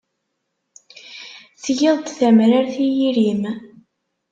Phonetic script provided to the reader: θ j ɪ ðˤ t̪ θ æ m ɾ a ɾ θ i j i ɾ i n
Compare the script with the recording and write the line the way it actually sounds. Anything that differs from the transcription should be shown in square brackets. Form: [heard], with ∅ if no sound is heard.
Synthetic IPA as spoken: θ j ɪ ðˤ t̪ θ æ m ɾ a ɾ θ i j i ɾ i [m]